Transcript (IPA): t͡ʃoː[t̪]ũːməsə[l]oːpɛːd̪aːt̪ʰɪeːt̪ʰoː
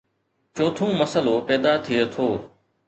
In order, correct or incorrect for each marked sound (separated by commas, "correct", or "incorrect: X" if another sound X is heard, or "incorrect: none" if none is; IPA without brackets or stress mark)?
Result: incorrect: t̪ʰ, correct